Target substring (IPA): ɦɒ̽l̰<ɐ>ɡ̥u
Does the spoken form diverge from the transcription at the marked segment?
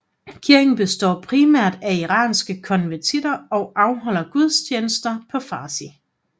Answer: no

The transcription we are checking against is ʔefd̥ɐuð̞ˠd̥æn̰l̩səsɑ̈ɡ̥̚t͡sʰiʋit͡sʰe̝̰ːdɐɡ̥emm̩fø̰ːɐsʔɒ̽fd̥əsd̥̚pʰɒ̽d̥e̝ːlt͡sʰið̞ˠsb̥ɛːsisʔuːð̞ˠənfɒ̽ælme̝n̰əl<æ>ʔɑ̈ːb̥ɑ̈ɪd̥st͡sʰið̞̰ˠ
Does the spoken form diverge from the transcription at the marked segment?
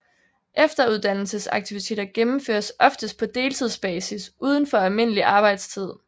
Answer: yes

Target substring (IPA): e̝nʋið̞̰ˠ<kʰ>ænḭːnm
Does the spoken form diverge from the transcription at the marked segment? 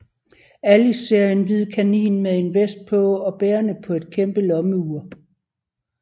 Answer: no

